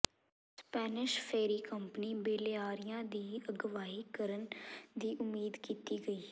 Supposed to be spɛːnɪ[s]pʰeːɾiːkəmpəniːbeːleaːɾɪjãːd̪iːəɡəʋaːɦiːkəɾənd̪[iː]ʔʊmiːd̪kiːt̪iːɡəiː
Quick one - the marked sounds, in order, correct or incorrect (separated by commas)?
incorrect, correct